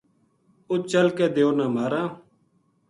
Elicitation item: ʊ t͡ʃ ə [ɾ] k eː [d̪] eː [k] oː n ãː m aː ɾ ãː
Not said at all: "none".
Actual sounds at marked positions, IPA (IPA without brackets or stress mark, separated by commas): l, d̪, none